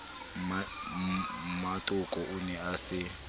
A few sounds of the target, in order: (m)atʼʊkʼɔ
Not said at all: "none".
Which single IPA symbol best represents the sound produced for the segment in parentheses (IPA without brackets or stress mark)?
m